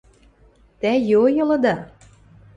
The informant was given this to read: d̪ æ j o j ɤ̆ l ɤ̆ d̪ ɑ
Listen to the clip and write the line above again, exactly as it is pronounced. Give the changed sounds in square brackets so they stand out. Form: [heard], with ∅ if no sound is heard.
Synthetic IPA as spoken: [t̪] æ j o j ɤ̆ l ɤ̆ d̪ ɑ